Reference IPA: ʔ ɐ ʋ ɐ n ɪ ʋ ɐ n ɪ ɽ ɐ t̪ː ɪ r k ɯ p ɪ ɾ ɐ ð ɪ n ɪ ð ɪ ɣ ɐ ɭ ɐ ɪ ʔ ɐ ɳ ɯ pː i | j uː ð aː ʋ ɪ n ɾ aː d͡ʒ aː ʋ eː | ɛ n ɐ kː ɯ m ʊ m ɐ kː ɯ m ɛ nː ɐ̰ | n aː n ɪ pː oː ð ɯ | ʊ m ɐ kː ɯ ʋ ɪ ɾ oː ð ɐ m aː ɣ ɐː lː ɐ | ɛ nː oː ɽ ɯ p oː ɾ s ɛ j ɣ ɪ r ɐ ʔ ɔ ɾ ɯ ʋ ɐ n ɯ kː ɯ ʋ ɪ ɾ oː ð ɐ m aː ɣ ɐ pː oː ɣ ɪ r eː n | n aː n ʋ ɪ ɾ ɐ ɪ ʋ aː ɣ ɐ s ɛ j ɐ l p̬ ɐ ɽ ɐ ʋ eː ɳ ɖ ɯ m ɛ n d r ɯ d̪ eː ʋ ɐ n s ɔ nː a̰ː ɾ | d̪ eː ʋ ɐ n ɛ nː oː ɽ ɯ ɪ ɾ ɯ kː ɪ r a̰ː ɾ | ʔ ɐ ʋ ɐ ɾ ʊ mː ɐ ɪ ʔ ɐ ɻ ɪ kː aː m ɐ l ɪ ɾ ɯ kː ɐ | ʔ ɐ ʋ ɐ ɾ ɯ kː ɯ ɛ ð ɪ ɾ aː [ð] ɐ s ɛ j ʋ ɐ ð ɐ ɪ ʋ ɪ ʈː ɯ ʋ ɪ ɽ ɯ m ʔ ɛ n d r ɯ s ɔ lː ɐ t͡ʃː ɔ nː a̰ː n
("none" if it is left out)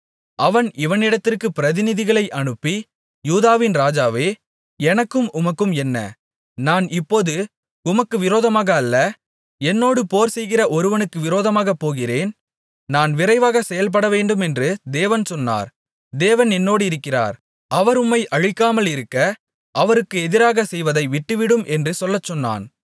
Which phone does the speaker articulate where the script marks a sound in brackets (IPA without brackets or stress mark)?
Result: ɣ